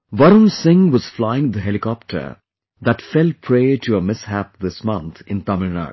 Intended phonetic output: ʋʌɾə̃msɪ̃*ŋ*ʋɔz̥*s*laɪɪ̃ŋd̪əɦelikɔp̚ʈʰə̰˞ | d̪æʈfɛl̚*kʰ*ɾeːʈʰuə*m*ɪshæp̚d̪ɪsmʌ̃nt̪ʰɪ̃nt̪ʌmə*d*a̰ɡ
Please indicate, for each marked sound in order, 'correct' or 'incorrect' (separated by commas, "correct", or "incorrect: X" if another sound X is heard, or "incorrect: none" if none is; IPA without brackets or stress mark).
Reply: correct, incorrect: f, incorrect: pʰ, correct, incorrect: n